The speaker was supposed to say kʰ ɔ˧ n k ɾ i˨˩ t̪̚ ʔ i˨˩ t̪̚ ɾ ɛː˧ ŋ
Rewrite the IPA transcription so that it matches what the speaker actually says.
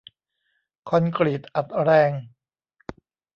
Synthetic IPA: kʰ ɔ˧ n k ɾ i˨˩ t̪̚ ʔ a˨˩ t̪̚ ɾ ɛː˧ ŋ